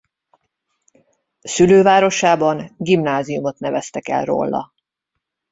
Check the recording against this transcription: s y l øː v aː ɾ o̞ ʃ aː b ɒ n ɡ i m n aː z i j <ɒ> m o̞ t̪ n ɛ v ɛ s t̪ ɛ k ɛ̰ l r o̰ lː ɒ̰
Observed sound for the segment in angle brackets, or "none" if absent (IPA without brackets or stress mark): u